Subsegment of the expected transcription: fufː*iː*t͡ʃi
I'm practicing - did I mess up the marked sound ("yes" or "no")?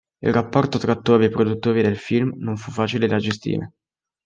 yes